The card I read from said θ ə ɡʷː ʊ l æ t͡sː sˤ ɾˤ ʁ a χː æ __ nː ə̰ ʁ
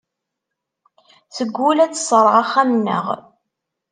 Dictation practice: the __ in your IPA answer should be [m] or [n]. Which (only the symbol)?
m